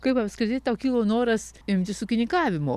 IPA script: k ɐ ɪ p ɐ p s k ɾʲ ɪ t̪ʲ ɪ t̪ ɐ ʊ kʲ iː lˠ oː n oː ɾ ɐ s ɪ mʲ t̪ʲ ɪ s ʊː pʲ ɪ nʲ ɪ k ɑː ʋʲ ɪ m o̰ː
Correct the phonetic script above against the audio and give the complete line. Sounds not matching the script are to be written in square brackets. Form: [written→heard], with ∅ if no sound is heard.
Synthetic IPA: k ɐ ɪ p ɐ p s k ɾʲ ɪ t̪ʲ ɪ t̪ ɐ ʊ kʲ iː lˠ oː n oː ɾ ɐ s ɪ mʲ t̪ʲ ɪ s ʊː [pʲ→kʲ] ɪ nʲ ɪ k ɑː ʋʲ ɪ m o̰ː